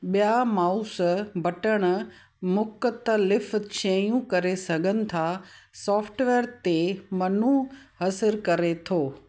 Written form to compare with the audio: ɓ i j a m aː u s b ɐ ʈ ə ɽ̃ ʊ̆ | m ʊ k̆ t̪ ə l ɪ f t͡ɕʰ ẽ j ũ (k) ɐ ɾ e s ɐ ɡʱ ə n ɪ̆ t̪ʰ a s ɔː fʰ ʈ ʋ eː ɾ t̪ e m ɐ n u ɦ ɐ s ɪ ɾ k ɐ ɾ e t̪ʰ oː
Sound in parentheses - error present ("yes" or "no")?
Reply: no